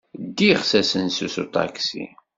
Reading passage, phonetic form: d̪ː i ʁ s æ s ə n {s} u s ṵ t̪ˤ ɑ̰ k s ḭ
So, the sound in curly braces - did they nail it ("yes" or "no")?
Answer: yes